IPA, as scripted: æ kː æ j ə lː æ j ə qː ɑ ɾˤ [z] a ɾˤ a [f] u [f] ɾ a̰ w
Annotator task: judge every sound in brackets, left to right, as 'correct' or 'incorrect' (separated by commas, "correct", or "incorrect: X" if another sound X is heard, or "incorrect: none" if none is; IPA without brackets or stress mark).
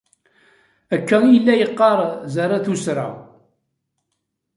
correct, incorrect: θ, incorrect: s